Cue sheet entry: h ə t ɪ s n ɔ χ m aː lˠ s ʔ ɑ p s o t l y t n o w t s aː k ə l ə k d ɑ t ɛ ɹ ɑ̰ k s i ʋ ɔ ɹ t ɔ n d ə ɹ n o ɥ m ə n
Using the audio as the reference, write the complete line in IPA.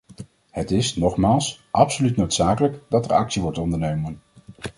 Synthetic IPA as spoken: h ə t ɪ s n ɔ χ m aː lˠ s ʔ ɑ p s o l y t n o w t s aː k ə l ə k d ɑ t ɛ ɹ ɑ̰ k s i ʋ ɔ ɹ t ɔ n d ə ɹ n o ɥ m ə n